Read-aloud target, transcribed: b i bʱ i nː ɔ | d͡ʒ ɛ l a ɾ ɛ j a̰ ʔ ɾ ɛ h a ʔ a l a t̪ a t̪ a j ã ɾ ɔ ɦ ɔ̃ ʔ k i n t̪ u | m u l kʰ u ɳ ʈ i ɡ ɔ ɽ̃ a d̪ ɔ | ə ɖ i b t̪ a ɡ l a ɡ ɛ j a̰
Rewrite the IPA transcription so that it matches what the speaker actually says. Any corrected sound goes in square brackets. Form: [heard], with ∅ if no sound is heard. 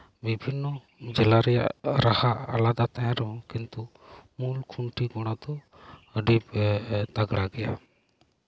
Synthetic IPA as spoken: b i bʱ i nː ɔ | d͡ʒ ɛ l a ɾ ɛ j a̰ ʔ ɾ [a] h a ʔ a l a [d̪] a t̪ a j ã ɾ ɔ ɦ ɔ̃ [∅] k i n t̪ u | m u l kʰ u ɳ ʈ i ɡ ɔ ɽ̃ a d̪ ɔ | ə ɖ i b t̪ a ɡ [ɽ] a ɡ ɛ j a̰